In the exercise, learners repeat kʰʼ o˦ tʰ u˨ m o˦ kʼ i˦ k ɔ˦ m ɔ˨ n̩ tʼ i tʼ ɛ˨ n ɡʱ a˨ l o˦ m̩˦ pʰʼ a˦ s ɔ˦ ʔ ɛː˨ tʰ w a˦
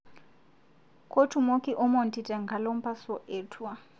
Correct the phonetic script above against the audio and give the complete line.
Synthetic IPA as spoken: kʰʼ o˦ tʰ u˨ m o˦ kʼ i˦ ʔ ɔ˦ m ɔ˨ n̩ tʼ i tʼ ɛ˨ ŋ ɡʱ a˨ l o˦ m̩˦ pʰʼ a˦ s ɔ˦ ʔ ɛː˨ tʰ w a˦